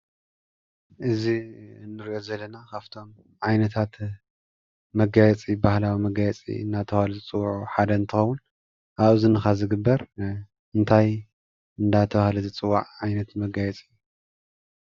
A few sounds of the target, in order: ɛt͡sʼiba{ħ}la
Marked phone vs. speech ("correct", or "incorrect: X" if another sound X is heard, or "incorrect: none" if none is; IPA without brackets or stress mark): incorrect: h